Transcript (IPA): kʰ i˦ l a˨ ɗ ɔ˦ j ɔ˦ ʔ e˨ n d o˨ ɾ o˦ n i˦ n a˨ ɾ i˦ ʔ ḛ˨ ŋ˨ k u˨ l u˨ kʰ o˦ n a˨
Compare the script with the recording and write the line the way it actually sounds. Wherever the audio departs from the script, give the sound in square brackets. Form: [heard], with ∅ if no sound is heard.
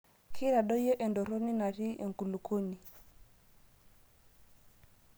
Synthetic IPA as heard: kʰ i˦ [ɾ] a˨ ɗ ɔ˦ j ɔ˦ ʔ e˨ n d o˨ ɾ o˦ n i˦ n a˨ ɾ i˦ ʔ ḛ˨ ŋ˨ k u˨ l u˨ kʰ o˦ n [i˨]